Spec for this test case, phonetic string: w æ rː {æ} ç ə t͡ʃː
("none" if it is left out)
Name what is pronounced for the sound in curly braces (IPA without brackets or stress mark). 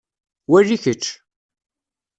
i